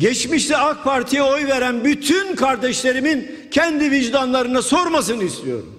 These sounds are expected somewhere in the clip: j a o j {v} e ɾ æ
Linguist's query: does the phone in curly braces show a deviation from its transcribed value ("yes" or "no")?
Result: no